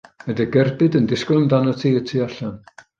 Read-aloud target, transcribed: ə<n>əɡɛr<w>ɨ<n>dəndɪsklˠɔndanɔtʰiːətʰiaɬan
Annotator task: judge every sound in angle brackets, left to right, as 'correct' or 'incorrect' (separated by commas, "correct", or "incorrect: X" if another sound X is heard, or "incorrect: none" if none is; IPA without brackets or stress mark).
incorrect: d, incorrect: b, incorrect: none